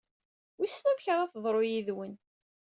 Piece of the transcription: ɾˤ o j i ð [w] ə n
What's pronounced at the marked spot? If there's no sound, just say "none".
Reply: w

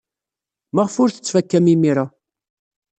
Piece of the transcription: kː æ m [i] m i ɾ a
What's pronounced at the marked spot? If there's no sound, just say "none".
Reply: i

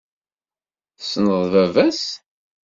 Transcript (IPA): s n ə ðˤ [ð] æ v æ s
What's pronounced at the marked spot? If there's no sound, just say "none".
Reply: v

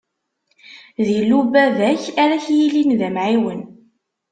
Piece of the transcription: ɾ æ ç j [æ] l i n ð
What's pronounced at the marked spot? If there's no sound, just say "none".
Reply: i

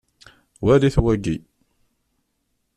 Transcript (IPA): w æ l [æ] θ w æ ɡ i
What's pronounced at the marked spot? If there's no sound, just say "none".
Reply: i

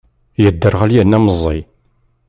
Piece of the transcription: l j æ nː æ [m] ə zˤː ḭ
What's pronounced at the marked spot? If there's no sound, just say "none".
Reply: m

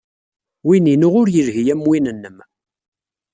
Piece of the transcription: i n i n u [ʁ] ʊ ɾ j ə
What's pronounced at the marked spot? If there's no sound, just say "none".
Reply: ʁ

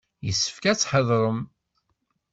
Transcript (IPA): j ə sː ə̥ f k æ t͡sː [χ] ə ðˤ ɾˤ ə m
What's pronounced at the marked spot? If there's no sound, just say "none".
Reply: ħ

